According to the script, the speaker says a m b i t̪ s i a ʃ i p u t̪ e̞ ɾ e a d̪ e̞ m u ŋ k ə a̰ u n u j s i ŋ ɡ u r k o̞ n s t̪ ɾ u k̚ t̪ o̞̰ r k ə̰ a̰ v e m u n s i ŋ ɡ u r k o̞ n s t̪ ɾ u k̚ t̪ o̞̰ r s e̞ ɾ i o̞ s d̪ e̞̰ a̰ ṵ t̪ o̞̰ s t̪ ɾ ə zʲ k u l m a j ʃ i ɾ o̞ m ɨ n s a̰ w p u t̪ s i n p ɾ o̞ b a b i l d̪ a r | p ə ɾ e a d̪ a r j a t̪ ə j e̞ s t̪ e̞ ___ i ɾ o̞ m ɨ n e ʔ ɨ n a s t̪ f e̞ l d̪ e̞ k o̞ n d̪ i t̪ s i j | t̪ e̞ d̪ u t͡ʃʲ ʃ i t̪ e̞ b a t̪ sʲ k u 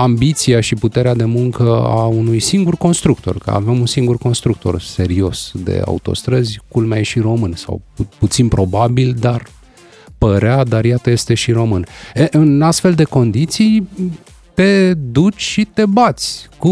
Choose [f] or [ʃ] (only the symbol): ʃ